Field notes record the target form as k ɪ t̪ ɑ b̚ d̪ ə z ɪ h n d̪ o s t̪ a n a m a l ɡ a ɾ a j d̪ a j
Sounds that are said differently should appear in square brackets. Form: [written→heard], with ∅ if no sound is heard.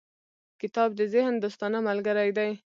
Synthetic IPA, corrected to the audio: k ɪ t̪ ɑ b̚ d̪ ə z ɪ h n d̪ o s t̪ [a→ɑ] n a m a l ɡ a ɾ a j d̪ a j